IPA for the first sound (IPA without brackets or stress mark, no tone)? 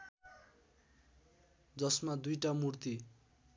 d͡z